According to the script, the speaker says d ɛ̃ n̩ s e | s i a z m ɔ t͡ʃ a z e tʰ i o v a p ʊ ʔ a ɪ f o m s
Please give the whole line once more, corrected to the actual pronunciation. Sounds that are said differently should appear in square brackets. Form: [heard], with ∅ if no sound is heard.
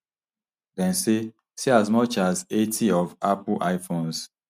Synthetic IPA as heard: d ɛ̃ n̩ s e | s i a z m ɔ t͡ʃ a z e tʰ i [ɔ] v a p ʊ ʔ a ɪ f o [n] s